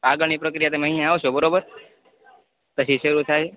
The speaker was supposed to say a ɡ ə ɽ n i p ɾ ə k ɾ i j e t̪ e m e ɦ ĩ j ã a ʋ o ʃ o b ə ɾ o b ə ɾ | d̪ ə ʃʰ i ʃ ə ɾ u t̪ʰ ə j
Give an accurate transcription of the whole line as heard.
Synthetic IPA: a ɡ ə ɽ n i p ɾ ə k ɾ i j a t̪ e m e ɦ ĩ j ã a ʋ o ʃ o b ə ɾ o b ə ɾ | t̪ ə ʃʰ i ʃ ə ɾ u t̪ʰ a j